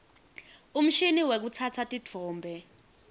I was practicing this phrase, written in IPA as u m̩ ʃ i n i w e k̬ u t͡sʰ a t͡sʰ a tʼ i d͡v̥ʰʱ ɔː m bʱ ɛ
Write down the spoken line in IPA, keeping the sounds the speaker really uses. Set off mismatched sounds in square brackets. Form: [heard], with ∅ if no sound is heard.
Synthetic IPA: u m̩ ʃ i n i w e k̬ u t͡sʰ a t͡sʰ a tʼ i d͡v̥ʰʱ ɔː m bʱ ɛ